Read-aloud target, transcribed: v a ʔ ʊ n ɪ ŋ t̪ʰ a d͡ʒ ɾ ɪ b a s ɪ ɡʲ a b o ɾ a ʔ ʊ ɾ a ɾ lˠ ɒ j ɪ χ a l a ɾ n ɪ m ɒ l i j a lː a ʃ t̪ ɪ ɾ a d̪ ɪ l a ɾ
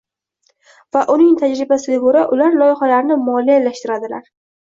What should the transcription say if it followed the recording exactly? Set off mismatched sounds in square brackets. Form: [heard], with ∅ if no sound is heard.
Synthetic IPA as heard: v a ʔ ʊ n ɪ ŋ t̪ʰ a d͡ʒ ɾ ɪ b a s ɪ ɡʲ a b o ɾ a ʔ ʊ [l] a ɾ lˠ ɒ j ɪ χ a l a ɾ n ɪ m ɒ l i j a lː a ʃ t̪ ɪ ɾ a d̪ ɪ l a ɾ